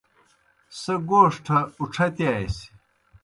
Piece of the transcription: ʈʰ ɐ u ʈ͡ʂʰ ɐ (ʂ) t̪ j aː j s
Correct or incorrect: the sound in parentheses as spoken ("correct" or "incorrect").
incorrect